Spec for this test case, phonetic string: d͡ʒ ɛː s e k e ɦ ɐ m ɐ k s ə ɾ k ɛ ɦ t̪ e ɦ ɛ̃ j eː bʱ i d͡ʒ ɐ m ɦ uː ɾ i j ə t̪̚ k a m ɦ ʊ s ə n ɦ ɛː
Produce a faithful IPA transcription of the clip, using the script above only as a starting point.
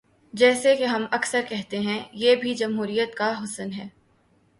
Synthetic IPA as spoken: d͡ʒ ɛː s e k e ɦ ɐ m ɐ k s ə ɾ k ɛ ɦ t̪ e ɦ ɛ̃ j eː bʱ i d͡ʒ ɐ m ɦ uː ɾ i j ə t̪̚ k a ɦ ʊ s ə n ɦ ɛː